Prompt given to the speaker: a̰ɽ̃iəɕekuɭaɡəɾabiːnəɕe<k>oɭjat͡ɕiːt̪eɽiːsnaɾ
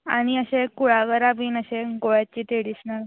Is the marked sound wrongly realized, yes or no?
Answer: yes